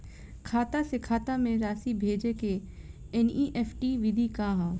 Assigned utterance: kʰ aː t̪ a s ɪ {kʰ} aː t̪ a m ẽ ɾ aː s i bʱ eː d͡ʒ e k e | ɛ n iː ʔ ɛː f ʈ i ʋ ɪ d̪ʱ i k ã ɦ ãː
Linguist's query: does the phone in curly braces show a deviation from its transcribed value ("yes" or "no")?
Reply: no